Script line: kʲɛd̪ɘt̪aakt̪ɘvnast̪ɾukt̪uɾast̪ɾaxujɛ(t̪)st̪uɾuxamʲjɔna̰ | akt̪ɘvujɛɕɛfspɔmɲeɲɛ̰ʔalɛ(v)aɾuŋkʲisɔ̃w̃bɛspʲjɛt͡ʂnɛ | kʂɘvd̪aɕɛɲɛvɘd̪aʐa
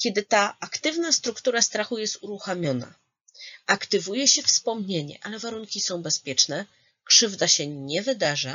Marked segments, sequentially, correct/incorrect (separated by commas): incorrect, correct